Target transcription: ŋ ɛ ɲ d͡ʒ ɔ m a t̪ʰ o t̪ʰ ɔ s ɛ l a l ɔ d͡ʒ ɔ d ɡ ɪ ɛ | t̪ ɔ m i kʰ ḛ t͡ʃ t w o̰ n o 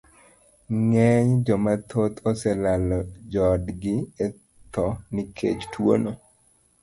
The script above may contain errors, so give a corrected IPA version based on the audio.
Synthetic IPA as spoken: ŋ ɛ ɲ d͡ʒ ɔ m a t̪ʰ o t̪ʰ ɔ s ɛ l a l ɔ d͡ʒ ɔ d ɡ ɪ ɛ | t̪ ɔ n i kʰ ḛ t͡ʃ t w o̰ n o

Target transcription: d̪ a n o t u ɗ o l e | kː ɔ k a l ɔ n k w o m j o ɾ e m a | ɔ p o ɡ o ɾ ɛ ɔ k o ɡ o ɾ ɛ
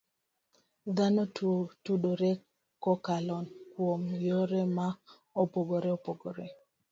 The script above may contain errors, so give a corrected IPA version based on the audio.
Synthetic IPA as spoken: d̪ a n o t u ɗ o ɾ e | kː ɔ k a l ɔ n k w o m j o ɾ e m a | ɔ p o ɡ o ɾ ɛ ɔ p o ɡ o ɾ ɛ

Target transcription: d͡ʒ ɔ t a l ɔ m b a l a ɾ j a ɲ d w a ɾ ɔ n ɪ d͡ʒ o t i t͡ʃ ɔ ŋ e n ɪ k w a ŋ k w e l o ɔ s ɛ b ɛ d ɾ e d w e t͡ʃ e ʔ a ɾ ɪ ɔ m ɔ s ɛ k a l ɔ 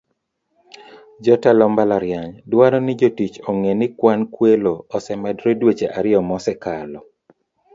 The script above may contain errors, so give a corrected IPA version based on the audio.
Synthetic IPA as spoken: d͡ʒ ɔ t a l ɔ m b a l a ɾ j a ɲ d w a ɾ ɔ n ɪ d͡ʒ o t i t͡ʃ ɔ ŋ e n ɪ k w a n k w e l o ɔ s ɛ m ɛ d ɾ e d w e t͡ʃ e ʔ a ɾ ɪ ɔ m ɔ s ɛ k a l ɔ

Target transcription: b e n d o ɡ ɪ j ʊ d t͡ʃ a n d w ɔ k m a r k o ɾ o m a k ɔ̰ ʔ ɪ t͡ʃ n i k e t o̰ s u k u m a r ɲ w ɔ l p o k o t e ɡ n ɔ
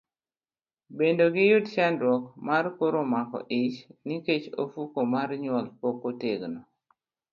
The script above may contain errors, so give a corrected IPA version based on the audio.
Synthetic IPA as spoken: b e n d o ɡ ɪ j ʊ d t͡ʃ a n d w ɔ k m a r k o ɾ o m a k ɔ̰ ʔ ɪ t͡ʃ n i k e t͡ʃ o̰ f u k o m a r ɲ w ɔ l p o k o t e ɡ n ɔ

